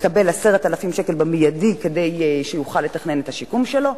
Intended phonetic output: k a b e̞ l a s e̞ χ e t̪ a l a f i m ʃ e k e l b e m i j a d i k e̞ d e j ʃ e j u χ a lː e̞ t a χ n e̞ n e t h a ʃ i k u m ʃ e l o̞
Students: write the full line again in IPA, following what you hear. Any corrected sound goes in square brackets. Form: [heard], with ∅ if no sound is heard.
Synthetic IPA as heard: k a b e̞ l a s e̞ [ʁ] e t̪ a l a f i m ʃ e k e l b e m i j a d i k e̞ d e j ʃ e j u χ a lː e̞ t a χ n e̞ n e t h a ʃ i k u m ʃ e l o̞